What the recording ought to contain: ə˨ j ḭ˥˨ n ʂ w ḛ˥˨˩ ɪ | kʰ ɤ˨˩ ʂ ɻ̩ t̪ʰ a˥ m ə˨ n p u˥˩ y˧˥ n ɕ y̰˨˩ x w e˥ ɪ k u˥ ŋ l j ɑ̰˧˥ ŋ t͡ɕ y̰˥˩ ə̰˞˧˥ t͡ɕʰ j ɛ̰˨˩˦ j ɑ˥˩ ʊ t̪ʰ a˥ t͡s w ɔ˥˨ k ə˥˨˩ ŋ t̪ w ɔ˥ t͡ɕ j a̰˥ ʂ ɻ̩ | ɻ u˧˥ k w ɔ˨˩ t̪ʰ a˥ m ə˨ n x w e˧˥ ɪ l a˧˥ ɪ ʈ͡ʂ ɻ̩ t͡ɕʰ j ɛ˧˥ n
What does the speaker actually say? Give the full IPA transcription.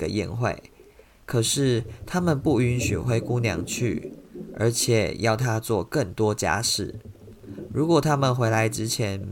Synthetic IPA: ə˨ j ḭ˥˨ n x w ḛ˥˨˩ ɪ | kʰ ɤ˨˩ ʂ ɻ̩ t̪ʰ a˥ m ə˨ n p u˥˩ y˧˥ n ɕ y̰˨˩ x w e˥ ɪ k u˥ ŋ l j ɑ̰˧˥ ŋ t͡ɕʰ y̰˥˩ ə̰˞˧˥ t͡ɕʰ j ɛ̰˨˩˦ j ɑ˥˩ ʊ t̪ʰ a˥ t͡s w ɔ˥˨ k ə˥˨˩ ŋ t̪ w ɔ˥ t͡ɕ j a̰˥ ʂ ɻ̩ | ɻ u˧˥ k w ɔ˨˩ t̪ʰ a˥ m ə˨ n x w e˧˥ ɪ l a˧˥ ɪ ʈ͡ʂ ɻ̩ t͡ɕʰ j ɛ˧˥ n